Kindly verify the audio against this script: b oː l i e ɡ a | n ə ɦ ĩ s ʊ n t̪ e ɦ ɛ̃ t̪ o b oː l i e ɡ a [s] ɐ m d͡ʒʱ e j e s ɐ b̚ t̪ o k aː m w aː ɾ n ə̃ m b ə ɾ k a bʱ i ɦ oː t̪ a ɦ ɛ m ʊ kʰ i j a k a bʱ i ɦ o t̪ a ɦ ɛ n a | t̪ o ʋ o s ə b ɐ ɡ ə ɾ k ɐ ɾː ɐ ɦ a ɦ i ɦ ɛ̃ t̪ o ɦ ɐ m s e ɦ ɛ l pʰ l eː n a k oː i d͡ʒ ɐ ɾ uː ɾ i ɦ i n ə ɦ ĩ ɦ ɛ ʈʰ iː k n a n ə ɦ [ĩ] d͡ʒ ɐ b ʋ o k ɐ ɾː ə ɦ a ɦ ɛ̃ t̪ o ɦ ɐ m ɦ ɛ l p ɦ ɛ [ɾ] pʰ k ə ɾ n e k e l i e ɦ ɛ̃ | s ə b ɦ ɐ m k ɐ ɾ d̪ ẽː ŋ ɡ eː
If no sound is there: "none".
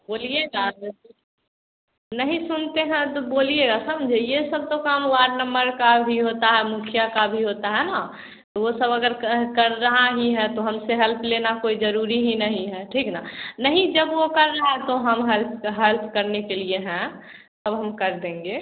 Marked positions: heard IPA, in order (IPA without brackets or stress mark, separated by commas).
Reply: s, ĩ, l